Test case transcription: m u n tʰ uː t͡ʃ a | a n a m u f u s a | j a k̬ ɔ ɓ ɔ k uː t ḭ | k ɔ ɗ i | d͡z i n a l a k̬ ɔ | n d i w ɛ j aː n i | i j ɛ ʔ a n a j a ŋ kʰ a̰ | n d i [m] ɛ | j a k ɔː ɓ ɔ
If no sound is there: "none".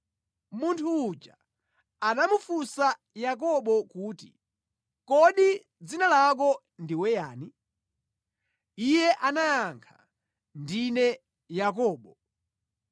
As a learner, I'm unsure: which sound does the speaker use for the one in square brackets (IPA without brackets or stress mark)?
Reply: n